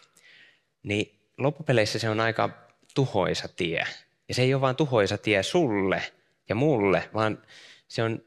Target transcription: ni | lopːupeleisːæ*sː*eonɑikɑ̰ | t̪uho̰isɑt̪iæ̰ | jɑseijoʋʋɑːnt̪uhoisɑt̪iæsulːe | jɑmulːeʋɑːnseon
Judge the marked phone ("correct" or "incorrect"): incorrect